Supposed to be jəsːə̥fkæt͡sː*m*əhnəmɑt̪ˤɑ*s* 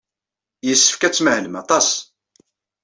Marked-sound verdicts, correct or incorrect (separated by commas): correct, correct